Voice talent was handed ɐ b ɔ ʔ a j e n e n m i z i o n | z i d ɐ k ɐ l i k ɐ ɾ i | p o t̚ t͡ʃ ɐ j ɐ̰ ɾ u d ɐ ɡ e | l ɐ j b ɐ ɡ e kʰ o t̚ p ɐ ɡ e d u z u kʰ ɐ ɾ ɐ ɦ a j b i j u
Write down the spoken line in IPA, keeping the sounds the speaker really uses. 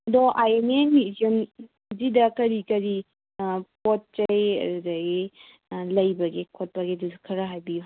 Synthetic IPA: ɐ d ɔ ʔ a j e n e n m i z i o n | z i d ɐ k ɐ ɾ i k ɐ ɾ i | p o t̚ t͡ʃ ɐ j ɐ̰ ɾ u d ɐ ɡ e | l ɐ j b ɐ ɡ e kʰ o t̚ p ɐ ɡ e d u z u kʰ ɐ ɾ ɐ ɦ a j b i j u